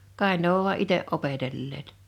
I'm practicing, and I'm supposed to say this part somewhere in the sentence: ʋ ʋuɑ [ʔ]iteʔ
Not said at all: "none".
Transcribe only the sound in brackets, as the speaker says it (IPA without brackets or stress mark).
ʔ